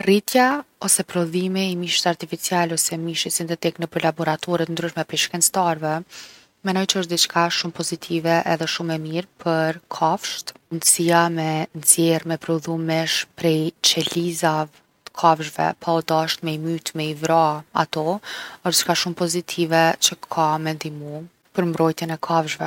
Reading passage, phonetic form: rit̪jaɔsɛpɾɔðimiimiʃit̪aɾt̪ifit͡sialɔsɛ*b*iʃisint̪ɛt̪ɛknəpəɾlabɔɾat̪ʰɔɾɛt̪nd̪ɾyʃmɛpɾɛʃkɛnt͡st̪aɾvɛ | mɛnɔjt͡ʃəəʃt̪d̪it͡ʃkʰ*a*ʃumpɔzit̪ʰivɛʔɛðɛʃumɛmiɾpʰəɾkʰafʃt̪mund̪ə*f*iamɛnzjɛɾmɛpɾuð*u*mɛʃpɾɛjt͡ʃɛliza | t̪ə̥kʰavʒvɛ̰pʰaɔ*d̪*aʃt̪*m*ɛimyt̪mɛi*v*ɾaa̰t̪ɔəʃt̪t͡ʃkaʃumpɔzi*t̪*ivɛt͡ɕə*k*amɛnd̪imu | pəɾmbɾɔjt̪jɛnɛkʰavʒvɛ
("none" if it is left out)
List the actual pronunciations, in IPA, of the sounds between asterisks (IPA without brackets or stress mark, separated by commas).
m, a, s, u, d̪, m, v, t̪ʰ, kʰ